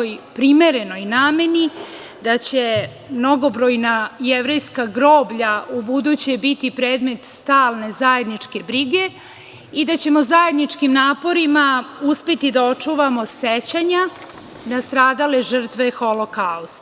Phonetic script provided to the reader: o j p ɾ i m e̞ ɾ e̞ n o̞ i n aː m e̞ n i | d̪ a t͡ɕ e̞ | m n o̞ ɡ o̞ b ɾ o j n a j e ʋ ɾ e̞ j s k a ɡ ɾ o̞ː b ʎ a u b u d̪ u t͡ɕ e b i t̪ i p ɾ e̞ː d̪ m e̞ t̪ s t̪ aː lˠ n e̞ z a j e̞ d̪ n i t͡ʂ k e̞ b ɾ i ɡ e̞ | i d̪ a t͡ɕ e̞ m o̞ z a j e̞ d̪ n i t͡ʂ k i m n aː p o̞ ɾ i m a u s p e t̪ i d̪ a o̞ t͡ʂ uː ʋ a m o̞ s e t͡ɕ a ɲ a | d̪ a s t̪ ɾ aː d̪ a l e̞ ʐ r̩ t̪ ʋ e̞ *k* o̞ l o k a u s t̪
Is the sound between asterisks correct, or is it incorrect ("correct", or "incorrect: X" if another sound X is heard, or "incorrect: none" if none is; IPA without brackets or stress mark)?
incorrect: x